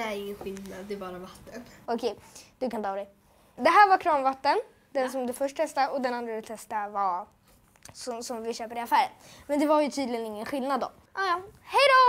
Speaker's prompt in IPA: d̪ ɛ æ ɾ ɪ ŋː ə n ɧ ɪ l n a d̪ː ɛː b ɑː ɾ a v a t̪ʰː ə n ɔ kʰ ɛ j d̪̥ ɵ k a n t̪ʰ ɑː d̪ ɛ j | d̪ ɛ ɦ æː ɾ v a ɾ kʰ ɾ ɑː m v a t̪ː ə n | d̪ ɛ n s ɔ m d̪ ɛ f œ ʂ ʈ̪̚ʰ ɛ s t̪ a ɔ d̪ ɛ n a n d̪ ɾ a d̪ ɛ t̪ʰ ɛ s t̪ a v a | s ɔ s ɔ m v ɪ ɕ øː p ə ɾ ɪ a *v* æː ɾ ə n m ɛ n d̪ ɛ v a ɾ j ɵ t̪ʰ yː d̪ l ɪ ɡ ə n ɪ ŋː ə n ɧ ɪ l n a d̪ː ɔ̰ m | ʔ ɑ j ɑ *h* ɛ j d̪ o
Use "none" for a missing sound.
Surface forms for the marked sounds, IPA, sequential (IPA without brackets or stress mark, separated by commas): f, h